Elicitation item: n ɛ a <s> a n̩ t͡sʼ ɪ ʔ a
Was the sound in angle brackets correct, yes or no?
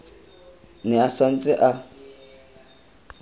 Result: yes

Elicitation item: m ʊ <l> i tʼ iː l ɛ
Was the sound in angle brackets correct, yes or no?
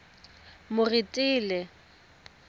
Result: no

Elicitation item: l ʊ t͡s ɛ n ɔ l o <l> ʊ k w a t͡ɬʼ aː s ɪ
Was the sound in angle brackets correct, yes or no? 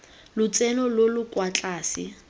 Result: yes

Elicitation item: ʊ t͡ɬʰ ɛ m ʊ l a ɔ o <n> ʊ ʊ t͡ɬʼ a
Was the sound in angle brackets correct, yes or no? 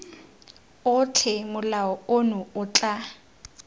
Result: yes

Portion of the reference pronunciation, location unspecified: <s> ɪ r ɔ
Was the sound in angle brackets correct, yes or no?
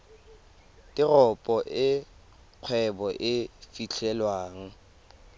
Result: no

